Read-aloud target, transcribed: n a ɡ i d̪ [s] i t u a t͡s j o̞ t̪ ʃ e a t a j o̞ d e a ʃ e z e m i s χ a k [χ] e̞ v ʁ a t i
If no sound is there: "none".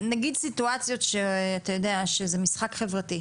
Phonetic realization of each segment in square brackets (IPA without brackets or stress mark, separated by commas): s, χ